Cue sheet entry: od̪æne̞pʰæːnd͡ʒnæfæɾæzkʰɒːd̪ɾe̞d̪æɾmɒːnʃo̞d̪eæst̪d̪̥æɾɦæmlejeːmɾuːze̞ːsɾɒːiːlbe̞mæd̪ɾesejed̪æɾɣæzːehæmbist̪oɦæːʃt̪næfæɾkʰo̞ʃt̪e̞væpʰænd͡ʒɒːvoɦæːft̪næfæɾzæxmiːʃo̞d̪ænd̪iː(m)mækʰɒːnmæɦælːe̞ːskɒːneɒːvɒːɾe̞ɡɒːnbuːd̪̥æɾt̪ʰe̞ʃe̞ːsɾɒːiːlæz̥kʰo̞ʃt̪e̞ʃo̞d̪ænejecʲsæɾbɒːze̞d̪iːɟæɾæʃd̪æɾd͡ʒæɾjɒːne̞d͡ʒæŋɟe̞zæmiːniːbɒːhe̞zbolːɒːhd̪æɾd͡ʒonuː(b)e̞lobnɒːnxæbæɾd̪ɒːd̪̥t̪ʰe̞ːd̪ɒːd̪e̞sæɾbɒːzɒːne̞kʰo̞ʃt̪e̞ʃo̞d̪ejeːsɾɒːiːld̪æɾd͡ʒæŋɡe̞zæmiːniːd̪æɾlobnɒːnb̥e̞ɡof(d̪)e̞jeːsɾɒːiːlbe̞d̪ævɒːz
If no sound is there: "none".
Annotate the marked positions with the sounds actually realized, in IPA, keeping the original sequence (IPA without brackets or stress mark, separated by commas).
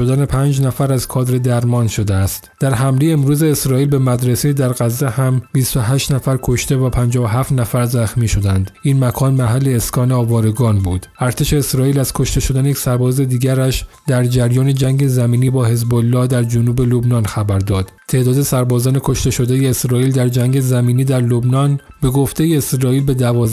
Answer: n, b, t̪